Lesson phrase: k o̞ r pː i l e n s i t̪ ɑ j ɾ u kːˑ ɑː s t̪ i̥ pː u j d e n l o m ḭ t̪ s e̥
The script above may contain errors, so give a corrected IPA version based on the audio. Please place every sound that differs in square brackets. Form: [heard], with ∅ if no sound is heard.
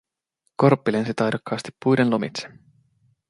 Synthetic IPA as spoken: k o̞ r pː i l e n s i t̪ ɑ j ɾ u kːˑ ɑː s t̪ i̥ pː u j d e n l o m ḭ t̪ s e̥